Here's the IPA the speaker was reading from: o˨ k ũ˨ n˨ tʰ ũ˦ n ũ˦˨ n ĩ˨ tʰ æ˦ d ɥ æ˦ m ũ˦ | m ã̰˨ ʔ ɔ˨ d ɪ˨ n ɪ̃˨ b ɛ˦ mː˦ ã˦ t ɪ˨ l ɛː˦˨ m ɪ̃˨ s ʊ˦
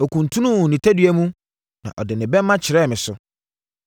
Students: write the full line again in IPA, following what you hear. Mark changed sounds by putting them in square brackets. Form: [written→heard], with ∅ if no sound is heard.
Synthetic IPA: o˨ k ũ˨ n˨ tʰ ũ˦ n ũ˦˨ n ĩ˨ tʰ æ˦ d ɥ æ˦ m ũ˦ | [m→n] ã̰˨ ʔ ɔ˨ d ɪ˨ n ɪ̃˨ b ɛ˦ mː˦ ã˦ [t→t͡ɕʰ] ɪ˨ [l→ɾ] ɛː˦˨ m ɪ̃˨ s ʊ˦